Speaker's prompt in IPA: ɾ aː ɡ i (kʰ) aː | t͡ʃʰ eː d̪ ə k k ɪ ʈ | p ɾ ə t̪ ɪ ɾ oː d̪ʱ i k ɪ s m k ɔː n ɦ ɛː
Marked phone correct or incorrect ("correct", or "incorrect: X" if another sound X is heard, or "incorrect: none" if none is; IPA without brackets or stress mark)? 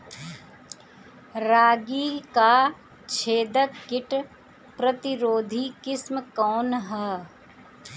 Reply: incorrect: k